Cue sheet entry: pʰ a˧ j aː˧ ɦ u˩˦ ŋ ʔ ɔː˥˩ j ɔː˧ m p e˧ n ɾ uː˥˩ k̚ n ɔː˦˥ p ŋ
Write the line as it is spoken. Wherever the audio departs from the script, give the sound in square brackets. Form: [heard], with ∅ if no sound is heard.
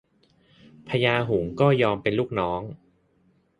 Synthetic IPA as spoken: pʰ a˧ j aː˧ ɦ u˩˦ ŋ [k] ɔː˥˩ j ɔː˧ m p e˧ n [l] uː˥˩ k̚ n ɔː˦˥ [∅] ŋ